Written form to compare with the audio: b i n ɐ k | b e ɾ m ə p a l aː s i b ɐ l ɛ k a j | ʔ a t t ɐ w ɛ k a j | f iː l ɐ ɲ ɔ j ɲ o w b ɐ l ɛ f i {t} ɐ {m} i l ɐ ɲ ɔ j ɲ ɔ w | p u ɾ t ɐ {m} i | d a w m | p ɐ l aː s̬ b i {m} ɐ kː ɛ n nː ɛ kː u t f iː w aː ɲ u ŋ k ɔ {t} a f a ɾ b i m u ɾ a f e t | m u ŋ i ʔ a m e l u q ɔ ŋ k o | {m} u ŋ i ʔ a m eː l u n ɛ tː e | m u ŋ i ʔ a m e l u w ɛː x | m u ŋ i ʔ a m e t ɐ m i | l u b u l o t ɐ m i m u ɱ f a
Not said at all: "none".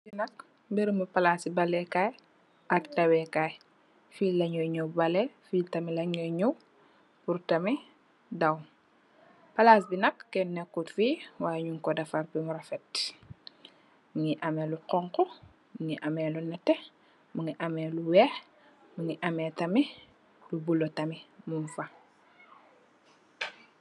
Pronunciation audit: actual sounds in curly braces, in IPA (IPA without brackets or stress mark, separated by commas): t, m, m, n, d, m